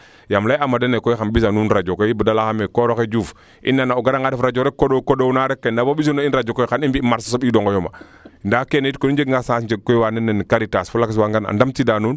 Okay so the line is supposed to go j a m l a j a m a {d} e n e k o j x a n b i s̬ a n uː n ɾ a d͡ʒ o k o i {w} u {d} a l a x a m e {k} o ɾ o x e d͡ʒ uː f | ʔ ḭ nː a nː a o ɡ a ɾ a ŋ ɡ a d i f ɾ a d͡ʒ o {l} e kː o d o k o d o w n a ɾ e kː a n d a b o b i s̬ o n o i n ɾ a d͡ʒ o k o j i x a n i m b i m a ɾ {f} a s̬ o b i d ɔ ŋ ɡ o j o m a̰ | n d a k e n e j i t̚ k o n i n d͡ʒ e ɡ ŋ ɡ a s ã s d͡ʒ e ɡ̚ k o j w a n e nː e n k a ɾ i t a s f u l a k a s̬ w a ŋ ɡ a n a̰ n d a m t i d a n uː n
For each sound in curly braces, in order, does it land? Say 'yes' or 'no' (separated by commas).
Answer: yes, no, yes, yes, no, no